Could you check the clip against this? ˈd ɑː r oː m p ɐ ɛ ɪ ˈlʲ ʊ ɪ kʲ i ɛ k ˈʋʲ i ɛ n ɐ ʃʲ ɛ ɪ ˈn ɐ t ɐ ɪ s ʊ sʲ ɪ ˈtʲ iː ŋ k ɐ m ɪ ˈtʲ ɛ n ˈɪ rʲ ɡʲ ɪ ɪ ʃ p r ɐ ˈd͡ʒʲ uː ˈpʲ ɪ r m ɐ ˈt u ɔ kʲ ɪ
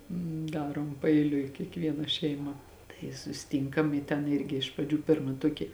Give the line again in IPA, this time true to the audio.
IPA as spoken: ˈd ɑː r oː m p ɐ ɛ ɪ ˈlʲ ʊ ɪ kʲ i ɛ k ˈʋʲ i ɛ n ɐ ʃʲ ɛ ɪ ˈm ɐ t ɐ ɪ s ʊ sʲ ɪ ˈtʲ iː ŋ k ɐ m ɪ ˈtʲ ɛ n ˈɪ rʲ ɡʲ ɪ ɪ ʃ p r ɐ ˈd͡ʒʲ uː ˈpʲ ɪ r m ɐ ˈt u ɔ kʲ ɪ

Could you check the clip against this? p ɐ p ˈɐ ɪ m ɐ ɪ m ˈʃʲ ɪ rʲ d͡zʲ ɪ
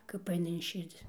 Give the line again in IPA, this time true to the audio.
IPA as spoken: k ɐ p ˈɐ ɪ n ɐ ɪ n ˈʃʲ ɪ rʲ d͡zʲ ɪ

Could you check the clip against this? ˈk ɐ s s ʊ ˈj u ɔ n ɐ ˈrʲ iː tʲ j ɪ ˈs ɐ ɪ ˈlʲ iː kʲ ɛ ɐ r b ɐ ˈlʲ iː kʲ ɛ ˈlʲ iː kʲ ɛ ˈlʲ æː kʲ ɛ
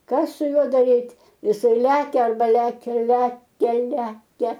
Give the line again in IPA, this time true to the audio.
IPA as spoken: ˈk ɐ s s ʊ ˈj u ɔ d ɐ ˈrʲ iː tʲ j ɪ ˈs ɐ ɪ ˈlʲ æː kʲ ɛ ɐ r b ɐ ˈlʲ æː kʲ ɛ ˈlʲ æː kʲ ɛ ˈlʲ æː kʲ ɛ

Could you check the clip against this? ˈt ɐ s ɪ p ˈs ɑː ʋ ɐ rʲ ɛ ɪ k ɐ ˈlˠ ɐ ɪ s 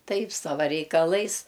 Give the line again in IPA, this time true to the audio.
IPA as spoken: ˈt ɐ ɪ p ˈs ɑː ʋ ɐ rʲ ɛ ɪ k ɐ ˈlˠ ɐ ɪ s

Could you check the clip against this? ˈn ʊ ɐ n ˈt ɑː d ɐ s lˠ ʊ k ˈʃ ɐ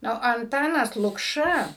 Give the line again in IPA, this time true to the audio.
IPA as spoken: ˈn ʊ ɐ n ˈt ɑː n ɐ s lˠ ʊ k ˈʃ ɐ

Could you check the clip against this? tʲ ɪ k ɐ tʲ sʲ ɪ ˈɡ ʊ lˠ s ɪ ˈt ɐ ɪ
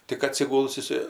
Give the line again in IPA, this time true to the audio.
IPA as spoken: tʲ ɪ k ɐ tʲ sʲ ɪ ˈɡ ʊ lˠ s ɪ ˈs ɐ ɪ

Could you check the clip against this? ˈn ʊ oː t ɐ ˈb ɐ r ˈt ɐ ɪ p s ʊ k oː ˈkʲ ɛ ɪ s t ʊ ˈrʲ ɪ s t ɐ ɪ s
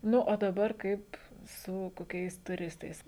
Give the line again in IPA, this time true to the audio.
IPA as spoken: ˈn ʊ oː d ɐ ˈb ɐ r ˈk ɐ ɪ p s ʊ k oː ˈkʲ ɛ ɪ s t ʊ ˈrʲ ɪ s t ɐ ɪ s

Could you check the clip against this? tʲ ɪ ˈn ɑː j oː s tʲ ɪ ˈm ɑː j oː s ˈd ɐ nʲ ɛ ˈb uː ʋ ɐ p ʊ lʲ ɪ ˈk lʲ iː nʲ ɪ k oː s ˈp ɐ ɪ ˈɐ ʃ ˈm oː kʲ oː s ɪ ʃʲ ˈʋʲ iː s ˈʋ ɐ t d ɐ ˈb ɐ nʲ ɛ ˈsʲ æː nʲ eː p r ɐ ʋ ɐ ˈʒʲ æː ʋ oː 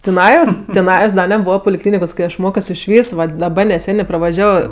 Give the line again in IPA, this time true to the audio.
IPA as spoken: tʲ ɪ ˈn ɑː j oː s tʲ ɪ ˈn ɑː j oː s ˈd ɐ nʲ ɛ ˈb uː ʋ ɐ p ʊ lʲ ɪ ˈk lʲ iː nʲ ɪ k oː s ˈk ɐ ɪ ˈɐ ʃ ˈm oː kʲ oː s ɪ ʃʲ ˈʋʲ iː s ˈʋ ɐ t d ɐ ˈb ɐ nʲ ɛ ˈsʲ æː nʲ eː p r ɐ ʋ ɐ ˈʒʲ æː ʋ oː

